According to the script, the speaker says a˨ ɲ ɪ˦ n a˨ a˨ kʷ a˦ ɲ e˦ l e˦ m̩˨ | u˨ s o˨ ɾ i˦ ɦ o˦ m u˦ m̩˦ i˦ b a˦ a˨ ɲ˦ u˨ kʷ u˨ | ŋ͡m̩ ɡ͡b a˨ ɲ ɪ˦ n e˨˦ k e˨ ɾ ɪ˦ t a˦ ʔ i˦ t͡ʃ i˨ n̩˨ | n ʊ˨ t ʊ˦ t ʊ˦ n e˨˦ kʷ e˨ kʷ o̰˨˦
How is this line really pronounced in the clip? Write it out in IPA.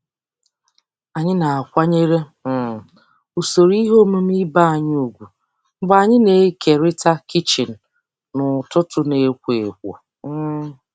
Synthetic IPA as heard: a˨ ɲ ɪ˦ n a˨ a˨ kʷ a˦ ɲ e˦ ɾ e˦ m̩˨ | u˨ s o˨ ɾ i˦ ɦ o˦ m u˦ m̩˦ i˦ b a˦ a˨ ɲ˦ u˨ ɡʷ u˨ | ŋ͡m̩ ɡ͡b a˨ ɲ ɪ˦ n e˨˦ k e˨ ɾ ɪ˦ t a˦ k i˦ t͡ʃ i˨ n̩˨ | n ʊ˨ t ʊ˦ t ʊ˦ n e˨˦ kʷ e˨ kʷ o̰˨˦